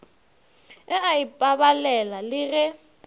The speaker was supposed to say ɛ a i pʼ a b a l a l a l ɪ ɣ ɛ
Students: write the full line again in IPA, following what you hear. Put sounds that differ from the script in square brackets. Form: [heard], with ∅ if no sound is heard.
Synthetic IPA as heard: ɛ a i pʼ a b a l [ɛ] l a l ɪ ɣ ɛ